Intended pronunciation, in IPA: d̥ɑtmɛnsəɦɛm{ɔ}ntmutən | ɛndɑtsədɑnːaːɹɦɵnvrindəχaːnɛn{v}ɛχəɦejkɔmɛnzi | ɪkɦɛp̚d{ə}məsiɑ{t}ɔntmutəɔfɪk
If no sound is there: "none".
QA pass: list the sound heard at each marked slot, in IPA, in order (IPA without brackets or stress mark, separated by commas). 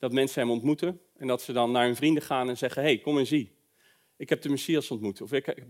ɔ, z, ə, s